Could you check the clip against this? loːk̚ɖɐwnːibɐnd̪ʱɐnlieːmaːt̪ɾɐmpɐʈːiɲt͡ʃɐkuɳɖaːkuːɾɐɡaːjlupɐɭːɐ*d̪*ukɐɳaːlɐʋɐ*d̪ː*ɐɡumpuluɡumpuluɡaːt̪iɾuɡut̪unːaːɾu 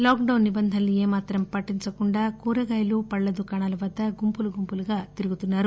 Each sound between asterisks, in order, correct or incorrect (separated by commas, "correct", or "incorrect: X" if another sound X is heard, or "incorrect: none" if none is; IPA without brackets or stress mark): correct, correct